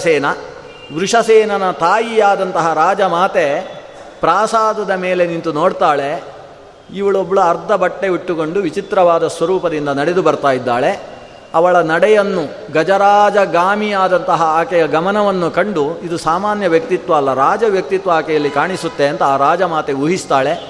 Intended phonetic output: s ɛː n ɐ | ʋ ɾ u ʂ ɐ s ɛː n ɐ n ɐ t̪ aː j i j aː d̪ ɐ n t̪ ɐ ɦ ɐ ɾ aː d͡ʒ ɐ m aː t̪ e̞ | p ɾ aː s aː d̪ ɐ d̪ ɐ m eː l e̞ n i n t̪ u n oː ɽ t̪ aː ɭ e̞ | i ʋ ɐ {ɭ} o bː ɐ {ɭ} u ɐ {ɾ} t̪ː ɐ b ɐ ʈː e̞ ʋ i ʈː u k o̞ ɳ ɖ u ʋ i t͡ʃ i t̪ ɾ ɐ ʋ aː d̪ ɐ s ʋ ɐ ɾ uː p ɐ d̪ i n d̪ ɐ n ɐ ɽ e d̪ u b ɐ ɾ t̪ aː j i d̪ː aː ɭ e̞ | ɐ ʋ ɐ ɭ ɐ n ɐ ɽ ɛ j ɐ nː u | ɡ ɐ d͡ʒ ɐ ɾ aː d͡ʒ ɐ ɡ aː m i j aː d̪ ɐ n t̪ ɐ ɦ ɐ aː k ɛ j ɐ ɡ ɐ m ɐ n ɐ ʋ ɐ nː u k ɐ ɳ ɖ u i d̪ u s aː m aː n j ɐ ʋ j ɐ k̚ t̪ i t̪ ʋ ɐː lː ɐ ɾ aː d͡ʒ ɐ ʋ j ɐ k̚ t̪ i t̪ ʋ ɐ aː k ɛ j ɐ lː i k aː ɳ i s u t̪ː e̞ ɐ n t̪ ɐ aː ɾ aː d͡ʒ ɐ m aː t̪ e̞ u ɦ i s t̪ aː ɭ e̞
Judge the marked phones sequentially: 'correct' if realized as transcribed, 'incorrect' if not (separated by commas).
correct, correct, correct